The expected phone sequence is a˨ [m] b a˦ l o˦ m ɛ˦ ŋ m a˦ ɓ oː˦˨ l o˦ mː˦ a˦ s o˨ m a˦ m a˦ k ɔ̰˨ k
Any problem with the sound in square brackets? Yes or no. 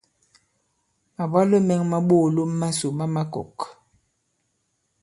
yes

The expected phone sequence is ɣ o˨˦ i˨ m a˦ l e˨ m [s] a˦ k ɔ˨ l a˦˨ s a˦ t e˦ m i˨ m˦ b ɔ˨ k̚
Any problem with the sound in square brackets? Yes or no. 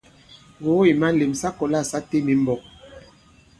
no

